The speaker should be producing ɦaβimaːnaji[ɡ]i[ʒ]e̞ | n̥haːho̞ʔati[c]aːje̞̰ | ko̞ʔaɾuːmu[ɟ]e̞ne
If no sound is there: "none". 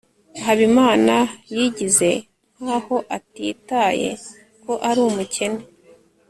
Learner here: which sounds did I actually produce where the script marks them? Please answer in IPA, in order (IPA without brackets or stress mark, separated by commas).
ɟ, z, t, c